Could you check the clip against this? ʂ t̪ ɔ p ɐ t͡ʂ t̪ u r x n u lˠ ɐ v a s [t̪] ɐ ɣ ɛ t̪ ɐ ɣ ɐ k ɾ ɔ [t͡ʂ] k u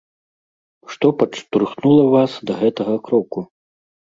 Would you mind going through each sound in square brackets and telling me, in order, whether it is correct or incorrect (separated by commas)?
incorrect, incorrect